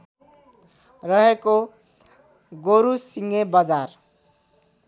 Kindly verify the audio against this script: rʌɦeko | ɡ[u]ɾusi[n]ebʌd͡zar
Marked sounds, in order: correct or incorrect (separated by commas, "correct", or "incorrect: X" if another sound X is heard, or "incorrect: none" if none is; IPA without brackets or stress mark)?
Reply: incorrect: o, incorrect: ŋ